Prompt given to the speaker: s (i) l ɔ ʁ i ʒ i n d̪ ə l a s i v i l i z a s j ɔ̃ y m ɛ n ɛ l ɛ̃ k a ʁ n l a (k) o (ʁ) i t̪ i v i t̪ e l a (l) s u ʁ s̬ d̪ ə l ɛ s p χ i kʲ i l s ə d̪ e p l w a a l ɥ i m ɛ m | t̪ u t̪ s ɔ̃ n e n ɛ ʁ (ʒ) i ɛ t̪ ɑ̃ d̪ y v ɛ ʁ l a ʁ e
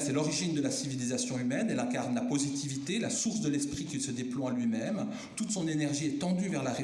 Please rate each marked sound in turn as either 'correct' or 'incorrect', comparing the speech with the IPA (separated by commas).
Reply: incorrect, incorrect, incorrect, incorrect, correct